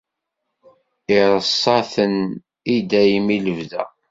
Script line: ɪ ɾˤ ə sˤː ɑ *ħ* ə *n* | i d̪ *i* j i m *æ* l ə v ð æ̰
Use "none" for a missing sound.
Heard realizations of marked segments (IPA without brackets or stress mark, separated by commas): θ, n, æ, i